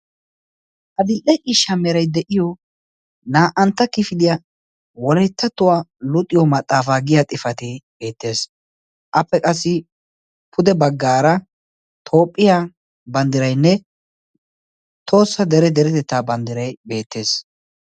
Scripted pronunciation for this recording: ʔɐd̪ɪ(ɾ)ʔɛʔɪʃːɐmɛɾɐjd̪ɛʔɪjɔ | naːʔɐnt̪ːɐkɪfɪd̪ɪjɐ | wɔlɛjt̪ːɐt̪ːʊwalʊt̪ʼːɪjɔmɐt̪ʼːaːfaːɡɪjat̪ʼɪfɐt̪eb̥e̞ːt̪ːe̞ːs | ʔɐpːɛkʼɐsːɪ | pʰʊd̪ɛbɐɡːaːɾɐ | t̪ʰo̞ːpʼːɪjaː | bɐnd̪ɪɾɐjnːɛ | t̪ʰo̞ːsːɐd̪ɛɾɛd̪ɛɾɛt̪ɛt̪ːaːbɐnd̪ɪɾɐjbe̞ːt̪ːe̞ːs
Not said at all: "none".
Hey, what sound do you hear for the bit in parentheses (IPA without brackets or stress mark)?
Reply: l